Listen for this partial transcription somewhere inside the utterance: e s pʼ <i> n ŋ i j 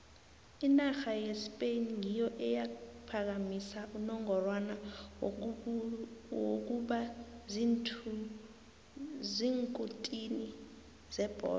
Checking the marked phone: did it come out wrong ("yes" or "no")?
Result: yes